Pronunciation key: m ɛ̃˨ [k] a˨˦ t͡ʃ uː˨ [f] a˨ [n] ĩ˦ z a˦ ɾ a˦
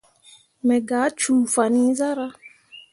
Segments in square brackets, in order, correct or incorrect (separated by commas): incorrect, correct, correct